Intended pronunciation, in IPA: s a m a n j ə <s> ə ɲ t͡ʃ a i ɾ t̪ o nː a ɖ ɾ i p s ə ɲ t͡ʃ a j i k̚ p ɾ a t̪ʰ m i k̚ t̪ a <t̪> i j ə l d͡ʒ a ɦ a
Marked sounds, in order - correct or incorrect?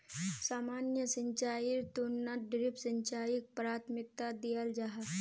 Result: correct, incorrect

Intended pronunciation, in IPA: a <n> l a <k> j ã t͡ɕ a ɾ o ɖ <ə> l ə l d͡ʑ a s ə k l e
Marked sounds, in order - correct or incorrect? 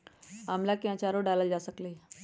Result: incorrect, correct, incorrect

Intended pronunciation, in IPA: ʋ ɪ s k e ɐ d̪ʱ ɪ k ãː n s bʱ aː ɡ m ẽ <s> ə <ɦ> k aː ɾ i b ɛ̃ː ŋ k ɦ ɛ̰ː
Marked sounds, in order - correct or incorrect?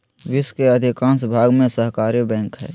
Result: correct, correct

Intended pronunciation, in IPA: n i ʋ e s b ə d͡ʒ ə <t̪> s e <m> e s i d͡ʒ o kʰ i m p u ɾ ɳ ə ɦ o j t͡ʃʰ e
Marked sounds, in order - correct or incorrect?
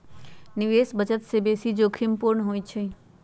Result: correct, incorrect

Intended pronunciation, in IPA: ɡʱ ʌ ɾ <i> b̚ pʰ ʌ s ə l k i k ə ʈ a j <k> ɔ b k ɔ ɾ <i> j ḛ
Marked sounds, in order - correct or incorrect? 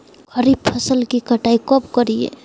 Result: correct, correct, correct

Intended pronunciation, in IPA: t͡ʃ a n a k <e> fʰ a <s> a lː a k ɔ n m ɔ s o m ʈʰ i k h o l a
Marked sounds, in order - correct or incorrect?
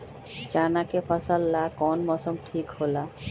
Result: correct, correct

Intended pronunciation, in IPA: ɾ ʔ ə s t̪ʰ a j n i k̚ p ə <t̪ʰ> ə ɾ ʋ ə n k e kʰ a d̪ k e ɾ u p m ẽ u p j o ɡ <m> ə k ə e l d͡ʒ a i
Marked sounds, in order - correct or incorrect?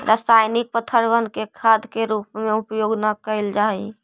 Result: correct, incorrect

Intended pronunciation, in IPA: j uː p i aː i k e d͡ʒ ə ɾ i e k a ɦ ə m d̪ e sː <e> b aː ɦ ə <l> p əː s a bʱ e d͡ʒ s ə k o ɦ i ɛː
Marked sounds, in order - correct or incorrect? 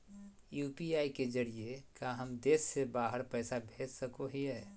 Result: correct, incorrect

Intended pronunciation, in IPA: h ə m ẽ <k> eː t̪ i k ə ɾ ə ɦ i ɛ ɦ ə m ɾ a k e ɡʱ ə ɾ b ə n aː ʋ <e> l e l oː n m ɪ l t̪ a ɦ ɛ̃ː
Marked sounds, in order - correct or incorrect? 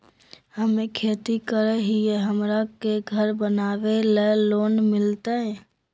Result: incorrect, correct

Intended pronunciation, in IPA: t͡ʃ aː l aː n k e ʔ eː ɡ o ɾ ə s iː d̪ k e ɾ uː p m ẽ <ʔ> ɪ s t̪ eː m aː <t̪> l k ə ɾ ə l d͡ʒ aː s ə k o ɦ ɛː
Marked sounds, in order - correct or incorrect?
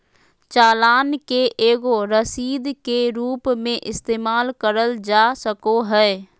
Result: correct, incorrect

